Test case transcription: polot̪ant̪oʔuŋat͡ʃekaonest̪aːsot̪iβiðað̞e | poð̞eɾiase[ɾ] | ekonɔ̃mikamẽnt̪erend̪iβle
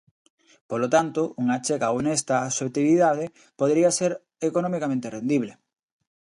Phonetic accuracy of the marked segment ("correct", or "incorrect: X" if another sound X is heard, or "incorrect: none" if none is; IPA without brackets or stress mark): correct